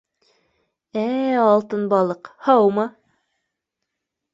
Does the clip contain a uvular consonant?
yes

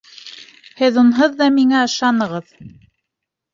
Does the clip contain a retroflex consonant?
no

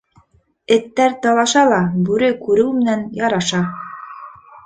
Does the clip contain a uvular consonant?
no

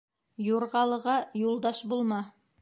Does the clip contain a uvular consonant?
yes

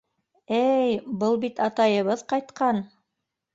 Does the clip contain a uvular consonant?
yes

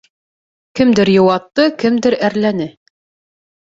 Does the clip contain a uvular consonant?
no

